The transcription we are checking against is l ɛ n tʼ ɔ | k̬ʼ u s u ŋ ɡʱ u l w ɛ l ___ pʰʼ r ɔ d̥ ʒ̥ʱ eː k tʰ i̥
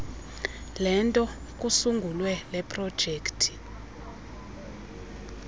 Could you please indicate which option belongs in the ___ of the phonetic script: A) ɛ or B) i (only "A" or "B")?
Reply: A